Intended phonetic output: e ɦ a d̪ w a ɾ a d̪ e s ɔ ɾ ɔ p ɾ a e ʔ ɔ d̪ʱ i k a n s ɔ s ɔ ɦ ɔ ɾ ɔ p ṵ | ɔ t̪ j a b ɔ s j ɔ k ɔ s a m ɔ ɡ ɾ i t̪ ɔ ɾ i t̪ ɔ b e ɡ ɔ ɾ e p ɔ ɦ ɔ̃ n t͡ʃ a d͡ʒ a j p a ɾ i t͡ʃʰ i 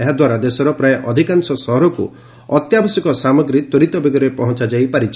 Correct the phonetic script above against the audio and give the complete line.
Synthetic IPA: e ɦ a d̪ w a ɾ a d̪ e s ɔ ɾ ɔ p ɾ a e ʔ ɔ d̪ʱ i k a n s ɔ s ɔ ɦ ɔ ɾ ɔ k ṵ | ɔ t̪ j a b ɔ s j ɔ k ɔ s a m ɔ ɡ ɾ i t̪ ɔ ɾ i t̪ ɔ b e ɡ ɔ ɾ e p ɔ ɦ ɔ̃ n t͡ʃ a d͡ʒ a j p a ɾ i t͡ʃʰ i

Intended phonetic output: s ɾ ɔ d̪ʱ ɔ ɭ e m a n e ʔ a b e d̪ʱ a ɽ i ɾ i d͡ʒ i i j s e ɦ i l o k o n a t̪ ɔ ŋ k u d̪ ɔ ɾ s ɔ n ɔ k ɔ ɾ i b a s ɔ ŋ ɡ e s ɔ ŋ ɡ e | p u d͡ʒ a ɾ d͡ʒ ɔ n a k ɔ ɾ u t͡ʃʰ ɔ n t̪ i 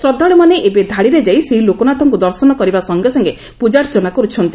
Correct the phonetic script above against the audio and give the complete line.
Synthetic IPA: s ɾ ɔ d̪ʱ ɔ ɭ e m a n e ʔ e b e d̪ʱ a ɽ i ɾ e d͡ʒ a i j s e ɦ i l o k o n a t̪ ɔ ŋ k u d̪ ɔ ɾ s ɔ n ɔ k ɔ ɾ i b a s ɔ ŋ ɡ e s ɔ ŋ ɡ e | p u d͡ʒ a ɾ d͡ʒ ɔ n a k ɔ ɾ u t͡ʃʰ ɔ n t̪ i

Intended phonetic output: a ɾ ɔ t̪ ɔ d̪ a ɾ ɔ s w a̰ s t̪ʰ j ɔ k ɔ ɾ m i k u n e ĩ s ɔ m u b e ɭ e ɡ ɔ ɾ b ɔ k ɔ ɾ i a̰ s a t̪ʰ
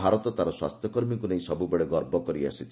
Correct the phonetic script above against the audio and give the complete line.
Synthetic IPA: a ɾ ɔ t̪ ɔ t̪ a ɾ ɔ s w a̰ s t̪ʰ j ɔ k ɔ ɾ m i k u n e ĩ s ɔ b u b e ɭ e ɡ ɔ ɾ b ɔ k ɔ ɾ i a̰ s i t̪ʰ

